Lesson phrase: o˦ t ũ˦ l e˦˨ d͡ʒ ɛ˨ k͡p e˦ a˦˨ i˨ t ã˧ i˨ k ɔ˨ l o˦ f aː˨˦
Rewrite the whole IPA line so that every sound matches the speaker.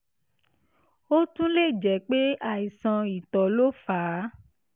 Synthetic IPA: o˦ t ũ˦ l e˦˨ d͡ʒ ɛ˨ k͡p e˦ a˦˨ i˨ s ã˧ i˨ t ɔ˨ l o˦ f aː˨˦

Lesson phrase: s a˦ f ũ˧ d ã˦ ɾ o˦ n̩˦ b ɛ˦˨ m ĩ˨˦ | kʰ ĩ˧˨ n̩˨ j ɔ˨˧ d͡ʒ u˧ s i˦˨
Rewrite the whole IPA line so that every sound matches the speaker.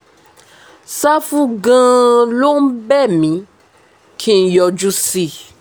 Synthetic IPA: s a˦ f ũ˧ ɡ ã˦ l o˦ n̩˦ b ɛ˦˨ m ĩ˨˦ | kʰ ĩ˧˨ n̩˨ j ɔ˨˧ d͡ʒ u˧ s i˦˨

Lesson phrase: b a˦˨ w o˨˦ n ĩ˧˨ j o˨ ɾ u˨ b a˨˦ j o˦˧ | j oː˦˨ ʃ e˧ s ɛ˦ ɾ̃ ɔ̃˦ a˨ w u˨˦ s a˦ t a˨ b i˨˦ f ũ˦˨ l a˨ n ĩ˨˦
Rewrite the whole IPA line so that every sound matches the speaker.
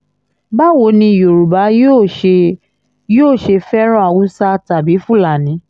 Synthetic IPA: b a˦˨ w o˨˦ n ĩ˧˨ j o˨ ɾ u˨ b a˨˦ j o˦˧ | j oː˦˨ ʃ e˧ f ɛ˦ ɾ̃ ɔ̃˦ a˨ w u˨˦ s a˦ t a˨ b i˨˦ f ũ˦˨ l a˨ n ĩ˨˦

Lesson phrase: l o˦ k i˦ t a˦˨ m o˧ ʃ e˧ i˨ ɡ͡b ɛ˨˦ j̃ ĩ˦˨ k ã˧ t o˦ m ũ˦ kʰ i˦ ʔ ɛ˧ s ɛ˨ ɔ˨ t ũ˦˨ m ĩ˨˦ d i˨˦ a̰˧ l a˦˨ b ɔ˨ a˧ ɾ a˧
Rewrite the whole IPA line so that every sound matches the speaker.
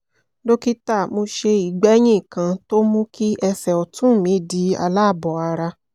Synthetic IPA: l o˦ k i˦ t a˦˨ m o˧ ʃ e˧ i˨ ɡ͡b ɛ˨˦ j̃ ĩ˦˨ k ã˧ t o˦ m ũ˦ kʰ i˦ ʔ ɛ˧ s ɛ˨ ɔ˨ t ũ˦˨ m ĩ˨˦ d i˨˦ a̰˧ l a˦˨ b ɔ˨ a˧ ɾ a˧

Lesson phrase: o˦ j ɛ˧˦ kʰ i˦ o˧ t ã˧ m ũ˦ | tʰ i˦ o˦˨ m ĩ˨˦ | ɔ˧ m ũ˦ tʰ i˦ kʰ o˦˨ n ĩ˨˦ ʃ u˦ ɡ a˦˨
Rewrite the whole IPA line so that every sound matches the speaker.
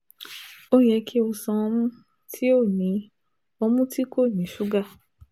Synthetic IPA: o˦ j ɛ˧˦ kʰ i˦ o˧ s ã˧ m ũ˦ | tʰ i˦ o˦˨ n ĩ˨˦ | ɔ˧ m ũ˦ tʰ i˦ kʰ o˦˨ n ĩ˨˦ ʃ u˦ ɡ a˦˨

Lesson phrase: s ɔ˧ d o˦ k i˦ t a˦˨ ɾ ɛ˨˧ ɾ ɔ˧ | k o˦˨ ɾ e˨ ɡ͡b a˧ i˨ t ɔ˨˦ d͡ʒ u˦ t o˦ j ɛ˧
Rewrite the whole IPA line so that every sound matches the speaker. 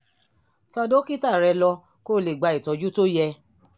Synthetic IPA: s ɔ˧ d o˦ k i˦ t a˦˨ ɾ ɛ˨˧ l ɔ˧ | k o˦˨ l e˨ ɡ͡b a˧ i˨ t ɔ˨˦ d͡ʒ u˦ t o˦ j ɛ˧

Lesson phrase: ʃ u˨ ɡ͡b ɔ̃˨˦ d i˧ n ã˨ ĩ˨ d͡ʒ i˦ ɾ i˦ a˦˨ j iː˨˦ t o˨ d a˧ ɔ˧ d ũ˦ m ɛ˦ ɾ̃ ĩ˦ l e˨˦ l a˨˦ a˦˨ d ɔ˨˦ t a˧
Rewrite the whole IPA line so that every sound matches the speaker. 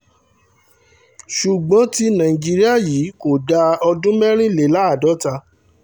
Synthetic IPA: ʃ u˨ ɡ͡b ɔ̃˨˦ t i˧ n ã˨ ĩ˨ d͡ʒ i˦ ɾ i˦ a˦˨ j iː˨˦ k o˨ d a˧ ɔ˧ d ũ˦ m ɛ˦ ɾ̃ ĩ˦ l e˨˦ l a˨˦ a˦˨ d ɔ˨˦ t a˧

